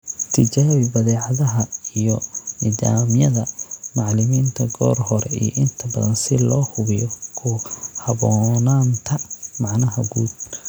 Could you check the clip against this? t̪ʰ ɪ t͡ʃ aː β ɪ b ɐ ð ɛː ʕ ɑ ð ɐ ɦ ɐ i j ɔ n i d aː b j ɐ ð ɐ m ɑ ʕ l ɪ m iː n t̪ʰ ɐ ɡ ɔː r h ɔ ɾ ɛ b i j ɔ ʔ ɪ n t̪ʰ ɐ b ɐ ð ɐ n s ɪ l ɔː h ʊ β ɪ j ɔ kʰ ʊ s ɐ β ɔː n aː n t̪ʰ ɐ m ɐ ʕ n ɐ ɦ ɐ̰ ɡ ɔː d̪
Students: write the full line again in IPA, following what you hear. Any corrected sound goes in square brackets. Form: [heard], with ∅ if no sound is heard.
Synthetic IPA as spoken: t̪ʰ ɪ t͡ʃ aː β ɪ b ɐ ð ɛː ʕ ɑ ð ɐ ɦ ɐ i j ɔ n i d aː [m] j ɐ ð ɐ m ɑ ʕ l ɪ m iː n t̪ʰ ɐ ɡ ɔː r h ɔ ɾ ɛ [∅] i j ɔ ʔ ɪ n t̪ʰ ɐ b ɐ ð ɐ n s ɪ l ɔː h ʊ β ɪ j ɔ kʰ ʊ [h] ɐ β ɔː n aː n t̪ʰ ɐ m [ɑ] ʕ n ɐ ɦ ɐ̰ ɡ [uː] d̪